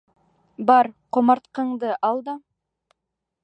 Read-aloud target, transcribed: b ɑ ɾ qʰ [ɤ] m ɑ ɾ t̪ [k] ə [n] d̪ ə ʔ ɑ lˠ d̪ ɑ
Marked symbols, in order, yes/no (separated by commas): no, no, no